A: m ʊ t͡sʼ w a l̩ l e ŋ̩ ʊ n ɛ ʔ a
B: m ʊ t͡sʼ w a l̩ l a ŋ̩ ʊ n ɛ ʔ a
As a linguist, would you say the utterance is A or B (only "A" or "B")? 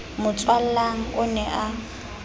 B